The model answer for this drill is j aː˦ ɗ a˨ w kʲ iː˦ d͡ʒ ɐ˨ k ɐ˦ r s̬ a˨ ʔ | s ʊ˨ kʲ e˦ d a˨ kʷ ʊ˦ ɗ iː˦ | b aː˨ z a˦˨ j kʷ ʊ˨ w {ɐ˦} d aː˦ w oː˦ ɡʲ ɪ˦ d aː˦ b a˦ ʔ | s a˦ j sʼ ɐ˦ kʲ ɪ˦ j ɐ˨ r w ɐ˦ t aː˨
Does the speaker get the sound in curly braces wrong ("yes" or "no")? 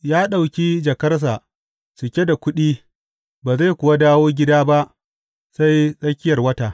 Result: yes